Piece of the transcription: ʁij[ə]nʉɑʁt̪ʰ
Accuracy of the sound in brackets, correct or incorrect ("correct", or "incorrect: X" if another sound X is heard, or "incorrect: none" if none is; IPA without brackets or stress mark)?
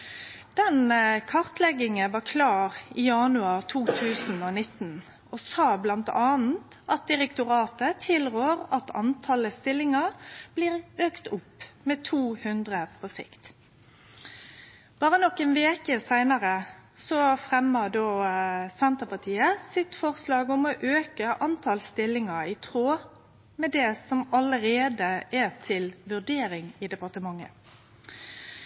incorrect: ɑ